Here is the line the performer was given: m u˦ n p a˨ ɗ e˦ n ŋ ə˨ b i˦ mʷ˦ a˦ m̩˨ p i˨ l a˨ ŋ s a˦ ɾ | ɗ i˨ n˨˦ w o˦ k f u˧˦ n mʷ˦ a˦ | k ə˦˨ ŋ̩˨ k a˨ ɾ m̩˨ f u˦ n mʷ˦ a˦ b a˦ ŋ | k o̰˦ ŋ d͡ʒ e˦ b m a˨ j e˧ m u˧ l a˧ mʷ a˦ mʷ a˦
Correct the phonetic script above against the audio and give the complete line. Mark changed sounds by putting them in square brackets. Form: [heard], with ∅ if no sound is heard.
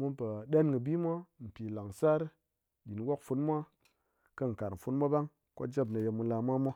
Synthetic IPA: m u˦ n p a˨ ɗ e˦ n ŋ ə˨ b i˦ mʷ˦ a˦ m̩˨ p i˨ l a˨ ŋ s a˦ ɾ | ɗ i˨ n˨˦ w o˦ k f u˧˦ n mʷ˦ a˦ | k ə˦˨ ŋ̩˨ k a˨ ɾ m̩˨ f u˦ n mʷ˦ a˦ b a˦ ŋ | k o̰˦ [∅] d͡ʒ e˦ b [n] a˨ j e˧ m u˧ l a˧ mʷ a˦ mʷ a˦